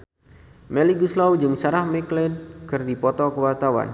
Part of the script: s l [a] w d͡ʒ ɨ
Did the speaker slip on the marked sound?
no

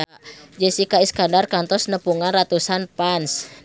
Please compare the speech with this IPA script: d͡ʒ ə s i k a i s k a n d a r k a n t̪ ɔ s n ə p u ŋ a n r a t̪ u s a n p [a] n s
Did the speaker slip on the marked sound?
no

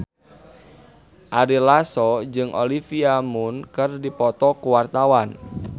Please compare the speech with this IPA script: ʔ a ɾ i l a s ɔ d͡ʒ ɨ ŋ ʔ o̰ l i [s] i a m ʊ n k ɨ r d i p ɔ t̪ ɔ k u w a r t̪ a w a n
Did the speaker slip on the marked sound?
yes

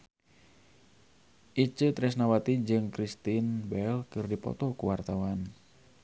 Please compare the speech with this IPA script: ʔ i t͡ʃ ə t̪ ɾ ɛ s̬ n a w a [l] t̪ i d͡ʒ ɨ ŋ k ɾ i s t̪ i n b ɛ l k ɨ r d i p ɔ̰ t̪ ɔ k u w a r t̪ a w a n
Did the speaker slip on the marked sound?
yes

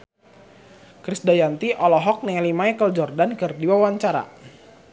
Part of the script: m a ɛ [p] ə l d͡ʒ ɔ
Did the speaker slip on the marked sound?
yes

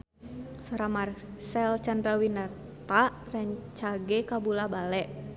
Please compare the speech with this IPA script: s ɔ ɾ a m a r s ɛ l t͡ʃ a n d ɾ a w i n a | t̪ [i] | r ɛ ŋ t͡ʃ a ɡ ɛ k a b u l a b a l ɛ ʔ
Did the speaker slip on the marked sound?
yes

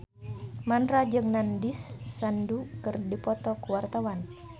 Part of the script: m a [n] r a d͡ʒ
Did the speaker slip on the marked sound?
no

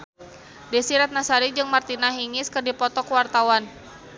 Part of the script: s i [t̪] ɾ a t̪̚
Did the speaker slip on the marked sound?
yes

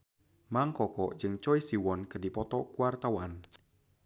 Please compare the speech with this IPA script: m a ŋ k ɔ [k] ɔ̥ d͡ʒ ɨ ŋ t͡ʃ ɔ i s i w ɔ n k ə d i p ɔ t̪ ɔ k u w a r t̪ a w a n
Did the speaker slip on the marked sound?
no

